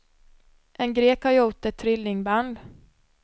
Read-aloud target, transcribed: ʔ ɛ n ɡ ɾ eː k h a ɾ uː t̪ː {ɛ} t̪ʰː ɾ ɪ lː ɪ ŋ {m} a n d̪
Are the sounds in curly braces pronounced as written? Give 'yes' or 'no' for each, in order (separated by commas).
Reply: yes, no